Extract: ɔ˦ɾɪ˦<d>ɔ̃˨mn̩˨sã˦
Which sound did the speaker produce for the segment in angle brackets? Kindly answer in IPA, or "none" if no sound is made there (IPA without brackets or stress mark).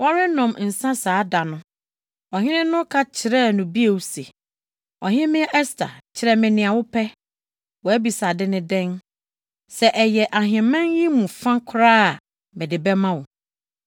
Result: n